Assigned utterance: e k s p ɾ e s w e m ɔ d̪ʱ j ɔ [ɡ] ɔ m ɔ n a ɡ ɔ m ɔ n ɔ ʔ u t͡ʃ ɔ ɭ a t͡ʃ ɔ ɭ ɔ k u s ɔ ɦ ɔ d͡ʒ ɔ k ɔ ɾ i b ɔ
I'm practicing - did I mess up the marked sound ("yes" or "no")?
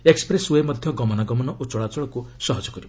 no